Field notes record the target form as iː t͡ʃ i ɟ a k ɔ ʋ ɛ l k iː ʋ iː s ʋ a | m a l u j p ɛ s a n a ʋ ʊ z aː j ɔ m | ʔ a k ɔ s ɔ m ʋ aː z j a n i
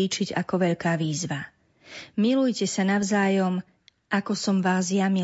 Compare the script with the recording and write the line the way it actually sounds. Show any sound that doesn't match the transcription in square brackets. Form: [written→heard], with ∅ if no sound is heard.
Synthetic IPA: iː t͡ʃ i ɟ a k ɔ ʋ ɛ [l→ʎ] k [iː→aː] ʋ iː [s→z] ʋ a | m [a→i] l u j [p→c] ɛ s a n a [ʋ→∅] ʊ z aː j ɔ m | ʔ a k ɔ s ɔ m ʋ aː z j a [n→m] i